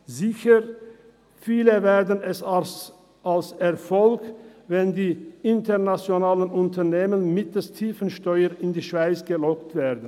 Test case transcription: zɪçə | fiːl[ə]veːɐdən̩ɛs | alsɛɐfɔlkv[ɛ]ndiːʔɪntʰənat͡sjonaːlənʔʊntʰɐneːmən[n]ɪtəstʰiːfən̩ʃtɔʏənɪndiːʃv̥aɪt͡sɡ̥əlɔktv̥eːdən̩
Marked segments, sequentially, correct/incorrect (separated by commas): correct, correct, incorrect